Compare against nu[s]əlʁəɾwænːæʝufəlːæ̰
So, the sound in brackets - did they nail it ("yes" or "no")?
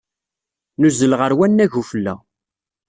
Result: no